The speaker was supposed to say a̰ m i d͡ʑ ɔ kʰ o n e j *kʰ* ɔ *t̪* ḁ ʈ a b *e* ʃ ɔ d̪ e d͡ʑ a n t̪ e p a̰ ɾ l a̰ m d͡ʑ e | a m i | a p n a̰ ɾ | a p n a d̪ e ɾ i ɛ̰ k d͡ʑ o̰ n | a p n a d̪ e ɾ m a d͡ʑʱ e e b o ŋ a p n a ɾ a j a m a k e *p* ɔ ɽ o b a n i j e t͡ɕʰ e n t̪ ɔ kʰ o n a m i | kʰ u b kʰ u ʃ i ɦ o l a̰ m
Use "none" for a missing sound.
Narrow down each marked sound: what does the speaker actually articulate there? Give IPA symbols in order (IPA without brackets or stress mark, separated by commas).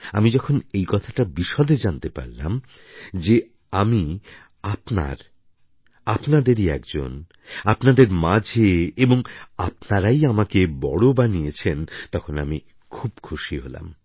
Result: k, t̪ʰ, i, b